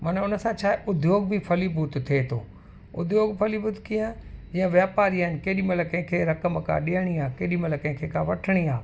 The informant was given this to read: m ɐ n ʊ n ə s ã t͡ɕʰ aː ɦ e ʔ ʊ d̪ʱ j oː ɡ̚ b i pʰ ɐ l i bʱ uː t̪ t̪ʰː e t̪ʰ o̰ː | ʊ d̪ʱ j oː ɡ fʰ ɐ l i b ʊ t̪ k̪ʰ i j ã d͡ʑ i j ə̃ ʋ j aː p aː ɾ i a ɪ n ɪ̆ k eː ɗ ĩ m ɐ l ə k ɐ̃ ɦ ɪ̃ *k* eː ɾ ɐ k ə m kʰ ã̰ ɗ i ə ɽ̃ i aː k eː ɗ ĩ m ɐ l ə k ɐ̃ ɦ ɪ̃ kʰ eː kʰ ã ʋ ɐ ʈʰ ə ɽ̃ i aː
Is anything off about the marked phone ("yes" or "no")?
yes